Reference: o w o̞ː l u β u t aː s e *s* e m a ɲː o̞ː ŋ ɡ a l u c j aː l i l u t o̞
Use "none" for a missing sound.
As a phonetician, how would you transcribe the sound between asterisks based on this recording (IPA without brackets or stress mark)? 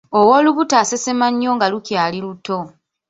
s